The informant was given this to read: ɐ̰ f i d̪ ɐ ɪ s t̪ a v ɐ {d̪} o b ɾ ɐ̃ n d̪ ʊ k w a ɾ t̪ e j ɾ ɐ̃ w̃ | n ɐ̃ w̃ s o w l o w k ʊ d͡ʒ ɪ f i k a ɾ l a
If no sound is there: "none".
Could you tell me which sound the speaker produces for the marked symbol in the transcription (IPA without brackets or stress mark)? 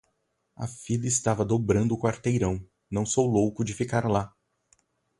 d̪